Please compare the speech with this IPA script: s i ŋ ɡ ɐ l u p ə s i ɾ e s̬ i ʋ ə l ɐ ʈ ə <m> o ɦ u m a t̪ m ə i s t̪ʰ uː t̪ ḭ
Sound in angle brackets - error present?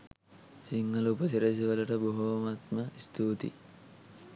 yes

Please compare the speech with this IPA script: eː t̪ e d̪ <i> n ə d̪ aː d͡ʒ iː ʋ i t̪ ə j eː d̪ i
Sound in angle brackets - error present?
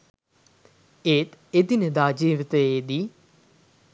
no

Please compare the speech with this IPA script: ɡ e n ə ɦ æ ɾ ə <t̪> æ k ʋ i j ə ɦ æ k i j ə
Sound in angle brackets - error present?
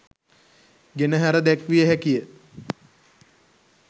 yes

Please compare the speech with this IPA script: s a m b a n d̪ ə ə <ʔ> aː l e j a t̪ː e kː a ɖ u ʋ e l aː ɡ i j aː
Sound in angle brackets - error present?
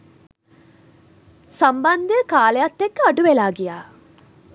yes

